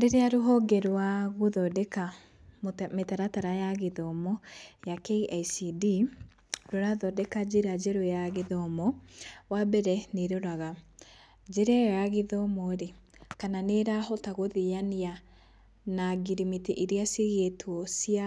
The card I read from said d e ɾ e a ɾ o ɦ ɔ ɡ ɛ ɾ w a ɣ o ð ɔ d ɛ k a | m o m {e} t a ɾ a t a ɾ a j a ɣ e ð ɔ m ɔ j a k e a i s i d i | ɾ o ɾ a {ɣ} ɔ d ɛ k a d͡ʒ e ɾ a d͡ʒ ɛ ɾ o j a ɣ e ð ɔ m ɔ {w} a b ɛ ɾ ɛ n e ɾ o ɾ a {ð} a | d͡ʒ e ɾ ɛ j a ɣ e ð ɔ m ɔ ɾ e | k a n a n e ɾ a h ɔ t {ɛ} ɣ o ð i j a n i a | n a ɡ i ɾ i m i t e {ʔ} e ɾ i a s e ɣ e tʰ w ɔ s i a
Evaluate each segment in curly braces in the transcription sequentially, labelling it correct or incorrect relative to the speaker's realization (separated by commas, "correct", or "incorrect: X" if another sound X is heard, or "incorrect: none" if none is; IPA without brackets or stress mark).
correct, incorrect: ð, correct, incorrect: ɣ, incorrect: a, correct